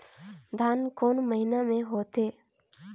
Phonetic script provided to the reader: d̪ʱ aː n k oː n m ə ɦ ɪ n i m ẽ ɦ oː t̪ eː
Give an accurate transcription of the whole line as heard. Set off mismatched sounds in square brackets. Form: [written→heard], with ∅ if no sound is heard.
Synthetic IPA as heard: d̪ʱ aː n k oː n m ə ɦ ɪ n [i→a] m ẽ ɦ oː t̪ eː